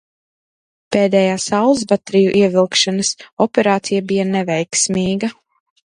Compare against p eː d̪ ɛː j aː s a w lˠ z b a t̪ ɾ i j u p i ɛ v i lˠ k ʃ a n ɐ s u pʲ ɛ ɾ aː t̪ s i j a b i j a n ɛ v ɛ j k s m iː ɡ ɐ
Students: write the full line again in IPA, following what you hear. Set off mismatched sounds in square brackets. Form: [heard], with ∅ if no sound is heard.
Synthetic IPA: p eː d̪ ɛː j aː s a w lˠ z b a t̪ ɾ i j u [ʔ] i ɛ v i lˠ k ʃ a n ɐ s [ɔ] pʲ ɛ ɾ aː t̪ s i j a b i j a n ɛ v ɛ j k s m iː ɡ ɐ